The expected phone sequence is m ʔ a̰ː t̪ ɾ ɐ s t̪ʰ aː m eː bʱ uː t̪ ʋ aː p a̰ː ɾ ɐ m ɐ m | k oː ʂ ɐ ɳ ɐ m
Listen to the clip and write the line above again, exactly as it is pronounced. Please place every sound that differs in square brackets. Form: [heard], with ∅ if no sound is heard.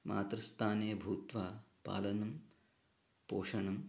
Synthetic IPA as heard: m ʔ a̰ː t̪ ɾ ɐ s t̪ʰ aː [n] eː bʱ uː t̪ ʋ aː p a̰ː [l] ɐ [n] ɐ m | [p] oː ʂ ɐ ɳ ɐ m